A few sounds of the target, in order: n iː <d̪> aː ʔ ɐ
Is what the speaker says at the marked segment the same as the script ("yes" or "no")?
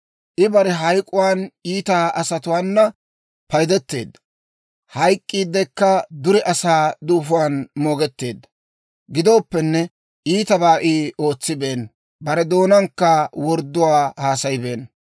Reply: no